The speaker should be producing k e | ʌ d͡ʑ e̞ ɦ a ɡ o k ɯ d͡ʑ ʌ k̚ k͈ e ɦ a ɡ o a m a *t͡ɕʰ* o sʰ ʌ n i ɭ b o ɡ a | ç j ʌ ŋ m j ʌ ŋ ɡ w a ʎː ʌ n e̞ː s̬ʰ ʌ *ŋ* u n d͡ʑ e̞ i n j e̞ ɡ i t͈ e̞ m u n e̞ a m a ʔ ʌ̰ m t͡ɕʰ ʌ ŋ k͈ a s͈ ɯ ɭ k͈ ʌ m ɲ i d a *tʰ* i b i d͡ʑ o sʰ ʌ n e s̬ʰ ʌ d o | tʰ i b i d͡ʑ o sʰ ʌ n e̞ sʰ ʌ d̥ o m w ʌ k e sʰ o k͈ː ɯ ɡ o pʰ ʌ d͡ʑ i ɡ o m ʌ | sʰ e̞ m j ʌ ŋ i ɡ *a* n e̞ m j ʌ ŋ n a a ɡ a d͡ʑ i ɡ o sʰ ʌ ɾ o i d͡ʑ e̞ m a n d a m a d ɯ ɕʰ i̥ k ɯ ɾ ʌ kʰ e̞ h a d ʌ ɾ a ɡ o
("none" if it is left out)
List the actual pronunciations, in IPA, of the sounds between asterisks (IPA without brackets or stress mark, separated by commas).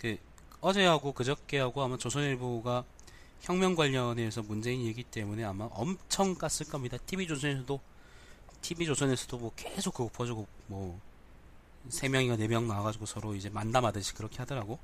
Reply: t͡ɕ, m, tʰ, a